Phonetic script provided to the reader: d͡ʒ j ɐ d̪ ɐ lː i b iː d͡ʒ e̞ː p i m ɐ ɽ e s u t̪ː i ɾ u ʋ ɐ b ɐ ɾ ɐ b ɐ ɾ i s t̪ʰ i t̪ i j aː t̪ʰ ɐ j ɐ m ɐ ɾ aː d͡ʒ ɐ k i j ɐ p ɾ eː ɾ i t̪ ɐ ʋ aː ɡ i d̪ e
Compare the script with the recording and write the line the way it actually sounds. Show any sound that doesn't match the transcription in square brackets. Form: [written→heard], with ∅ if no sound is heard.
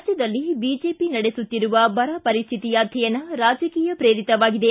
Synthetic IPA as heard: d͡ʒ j ɐ d̪ ɐ lː i b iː d͡ʒ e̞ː p i [m→n] ɐ ɽ e s u t̪ː i ɾ u ʋ ɐ b ɐ ɾ ɐ [b→p] ɐ ɾ i s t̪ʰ i t̪ i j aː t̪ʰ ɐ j ɐ [m→n] ɐ ɾ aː d͡ʒ ɐ k [i→iː] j ɐ p ɾ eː ɾ i t̪ ɐ ʋ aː ɡ i d̪ e